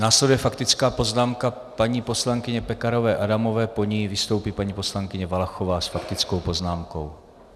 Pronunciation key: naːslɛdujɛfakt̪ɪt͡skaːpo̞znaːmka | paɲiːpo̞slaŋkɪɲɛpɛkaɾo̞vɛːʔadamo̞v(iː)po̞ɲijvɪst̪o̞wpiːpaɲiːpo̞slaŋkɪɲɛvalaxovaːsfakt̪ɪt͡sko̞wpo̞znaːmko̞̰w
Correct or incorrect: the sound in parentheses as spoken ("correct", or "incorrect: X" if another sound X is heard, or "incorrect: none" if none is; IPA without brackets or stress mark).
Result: incorrect: ɛː